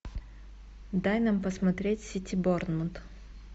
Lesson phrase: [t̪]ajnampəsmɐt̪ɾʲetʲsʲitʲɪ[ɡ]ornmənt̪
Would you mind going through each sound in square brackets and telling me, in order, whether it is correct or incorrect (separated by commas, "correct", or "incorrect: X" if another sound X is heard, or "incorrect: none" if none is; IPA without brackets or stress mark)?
incorrect: d̪, incorrect: b